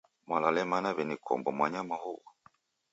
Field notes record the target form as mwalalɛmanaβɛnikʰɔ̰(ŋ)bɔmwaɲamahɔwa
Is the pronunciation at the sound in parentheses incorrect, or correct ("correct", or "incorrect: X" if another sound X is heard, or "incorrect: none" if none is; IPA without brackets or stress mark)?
incorrect: m